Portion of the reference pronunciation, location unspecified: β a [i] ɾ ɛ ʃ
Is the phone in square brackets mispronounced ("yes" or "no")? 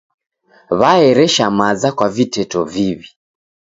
yes